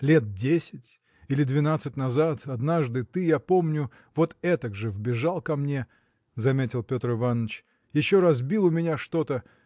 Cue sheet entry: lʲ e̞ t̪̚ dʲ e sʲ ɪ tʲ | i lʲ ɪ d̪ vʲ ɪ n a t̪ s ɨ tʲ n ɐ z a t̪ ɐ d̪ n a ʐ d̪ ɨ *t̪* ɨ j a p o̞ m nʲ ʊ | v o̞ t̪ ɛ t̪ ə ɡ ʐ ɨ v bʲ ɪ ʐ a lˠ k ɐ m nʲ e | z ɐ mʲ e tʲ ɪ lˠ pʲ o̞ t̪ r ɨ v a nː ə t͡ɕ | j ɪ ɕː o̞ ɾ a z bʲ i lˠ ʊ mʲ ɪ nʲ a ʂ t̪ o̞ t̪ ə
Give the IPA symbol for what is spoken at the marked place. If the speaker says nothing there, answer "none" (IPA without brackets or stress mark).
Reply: t̪